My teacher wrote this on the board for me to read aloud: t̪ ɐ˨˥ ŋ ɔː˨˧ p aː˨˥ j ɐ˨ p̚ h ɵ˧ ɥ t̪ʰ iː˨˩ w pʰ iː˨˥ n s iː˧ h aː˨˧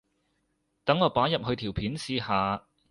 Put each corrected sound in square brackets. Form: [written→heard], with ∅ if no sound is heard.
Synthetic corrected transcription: t̪ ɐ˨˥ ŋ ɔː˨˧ p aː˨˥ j ɐ˨ p̚ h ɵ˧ ɥ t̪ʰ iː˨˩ w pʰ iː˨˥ n s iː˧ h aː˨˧